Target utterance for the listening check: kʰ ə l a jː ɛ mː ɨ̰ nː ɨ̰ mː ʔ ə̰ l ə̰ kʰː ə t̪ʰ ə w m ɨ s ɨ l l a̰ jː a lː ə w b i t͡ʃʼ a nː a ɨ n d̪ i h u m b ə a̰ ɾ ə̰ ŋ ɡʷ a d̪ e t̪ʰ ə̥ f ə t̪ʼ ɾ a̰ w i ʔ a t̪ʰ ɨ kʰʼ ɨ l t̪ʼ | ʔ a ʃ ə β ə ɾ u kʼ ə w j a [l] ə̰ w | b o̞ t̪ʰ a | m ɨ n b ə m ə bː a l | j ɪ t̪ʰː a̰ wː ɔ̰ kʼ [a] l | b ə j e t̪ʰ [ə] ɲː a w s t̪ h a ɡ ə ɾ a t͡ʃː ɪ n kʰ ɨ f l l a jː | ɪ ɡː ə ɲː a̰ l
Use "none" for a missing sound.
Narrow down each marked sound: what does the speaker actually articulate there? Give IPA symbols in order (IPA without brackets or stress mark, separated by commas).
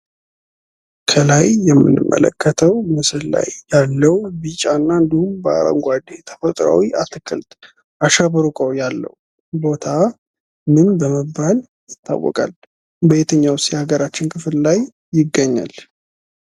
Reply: lː, a, ə